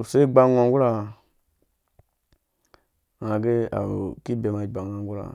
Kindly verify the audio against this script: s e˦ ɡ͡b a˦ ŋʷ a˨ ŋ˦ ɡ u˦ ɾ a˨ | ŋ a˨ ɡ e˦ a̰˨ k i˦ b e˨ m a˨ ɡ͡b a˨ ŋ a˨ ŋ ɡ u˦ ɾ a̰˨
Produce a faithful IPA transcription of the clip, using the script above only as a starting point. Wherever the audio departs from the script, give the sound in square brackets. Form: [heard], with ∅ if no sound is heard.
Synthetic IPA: s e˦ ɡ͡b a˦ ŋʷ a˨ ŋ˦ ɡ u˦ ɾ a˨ | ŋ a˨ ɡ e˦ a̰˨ k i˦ b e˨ m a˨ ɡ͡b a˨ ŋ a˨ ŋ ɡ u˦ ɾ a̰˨